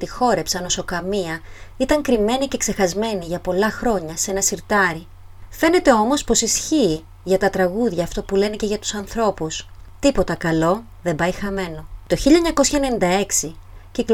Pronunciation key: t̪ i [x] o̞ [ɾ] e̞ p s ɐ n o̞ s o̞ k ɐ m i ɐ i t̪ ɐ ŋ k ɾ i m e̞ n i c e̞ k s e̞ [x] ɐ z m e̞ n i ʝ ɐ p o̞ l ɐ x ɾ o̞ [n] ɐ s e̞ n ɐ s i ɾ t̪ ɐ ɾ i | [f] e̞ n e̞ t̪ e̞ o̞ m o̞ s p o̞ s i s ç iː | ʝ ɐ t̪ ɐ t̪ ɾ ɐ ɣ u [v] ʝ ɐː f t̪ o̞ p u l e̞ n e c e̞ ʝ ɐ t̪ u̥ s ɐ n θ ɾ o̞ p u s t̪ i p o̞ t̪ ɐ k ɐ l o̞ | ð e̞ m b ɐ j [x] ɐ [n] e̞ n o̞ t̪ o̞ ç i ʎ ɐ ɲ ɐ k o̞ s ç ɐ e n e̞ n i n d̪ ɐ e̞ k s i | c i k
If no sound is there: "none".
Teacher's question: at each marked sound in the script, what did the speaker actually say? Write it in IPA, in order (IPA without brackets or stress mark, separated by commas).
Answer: x, ɾ, x, ɲ, f, ð, x, m